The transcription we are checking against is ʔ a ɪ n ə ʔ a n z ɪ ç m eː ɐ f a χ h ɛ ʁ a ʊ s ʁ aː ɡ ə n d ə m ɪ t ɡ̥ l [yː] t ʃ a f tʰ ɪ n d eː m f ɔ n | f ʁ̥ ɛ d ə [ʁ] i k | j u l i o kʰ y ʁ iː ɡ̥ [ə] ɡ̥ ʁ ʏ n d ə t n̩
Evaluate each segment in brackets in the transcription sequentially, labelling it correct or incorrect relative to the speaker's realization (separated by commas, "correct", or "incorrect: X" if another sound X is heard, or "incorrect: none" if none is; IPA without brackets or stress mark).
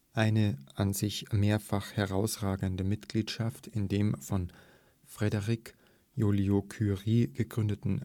incorrect: iː, correct, correct